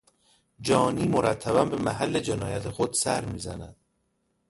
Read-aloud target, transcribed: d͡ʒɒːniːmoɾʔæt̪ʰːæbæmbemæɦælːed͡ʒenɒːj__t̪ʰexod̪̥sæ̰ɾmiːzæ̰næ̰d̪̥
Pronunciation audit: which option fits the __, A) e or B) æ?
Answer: B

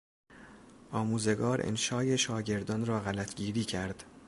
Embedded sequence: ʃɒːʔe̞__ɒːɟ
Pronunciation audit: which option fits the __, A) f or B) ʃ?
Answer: B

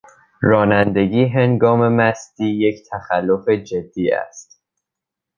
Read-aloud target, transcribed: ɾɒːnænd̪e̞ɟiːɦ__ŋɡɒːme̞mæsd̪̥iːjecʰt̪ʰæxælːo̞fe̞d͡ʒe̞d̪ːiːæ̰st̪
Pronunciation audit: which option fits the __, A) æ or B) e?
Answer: B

